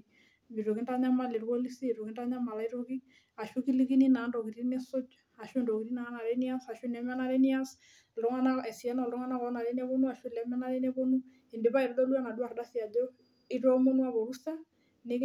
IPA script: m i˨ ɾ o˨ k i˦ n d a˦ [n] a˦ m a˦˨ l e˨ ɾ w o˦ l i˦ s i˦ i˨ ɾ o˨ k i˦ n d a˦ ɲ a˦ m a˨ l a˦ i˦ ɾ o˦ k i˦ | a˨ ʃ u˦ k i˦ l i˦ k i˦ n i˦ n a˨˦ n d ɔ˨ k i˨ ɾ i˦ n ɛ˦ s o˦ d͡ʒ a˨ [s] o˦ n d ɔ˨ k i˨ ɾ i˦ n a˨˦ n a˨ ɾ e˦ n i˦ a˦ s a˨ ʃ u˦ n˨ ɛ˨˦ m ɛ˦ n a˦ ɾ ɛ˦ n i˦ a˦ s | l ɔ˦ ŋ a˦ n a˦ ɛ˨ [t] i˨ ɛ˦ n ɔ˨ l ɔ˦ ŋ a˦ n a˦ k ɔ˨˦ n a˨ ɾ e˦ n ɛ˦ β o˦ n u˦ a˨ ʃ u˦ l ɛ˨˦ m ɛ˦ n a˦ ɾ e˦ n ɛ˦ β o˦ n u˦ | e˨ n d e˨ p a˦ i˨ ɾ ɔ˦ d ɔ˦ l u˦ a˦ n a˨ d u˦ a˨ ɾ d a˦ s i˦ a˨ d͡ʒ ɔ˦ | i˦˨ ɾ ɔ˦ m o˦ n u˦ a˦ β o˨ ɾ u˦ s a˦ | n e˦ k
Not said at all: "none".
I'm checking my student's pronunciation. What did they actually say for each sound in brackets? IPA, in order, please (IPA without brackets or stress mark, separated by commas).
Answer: ɲ, ʃ, s